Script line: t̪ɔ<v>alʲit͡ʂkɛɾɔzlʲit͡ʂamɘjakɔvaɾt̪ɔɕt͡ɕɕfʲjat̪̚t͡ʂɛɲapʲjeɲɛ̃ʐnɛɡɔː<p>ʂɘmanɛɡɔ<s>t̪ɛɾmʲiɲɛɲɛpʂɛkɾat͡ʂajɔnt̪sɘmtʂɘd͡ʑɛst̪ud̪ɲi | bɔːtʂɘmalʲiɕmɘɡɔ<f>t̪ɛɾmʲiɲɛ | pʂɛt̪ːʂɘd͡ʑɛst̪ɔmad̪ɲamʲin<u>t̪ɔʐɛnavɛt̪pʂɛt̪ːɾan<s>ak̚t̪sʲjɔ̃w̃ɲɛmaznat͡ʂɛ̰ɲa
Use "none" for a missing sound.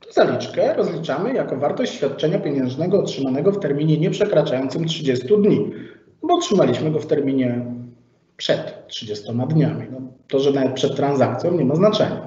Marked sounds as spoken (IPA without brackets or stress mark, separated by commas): z, t, f, f, ɔ, z